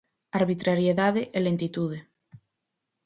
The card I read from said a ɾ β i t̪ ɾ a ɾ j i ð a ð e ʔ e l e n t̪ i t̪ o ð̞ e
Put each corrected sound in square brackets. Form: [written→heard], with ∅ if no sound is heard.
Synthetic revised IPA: a ɾ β i t̪ ɾ a ɾ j [i→e] ð a ð e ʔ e l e n t̪ i t̪ [o→u] ð̞ e